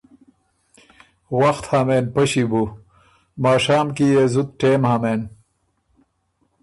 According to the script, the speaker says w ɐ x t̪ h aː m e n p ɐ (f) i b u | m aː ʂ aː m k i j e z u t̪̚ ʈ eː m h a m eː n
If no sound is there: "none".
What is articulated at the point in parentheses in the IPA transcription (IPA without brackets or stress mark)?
ɕ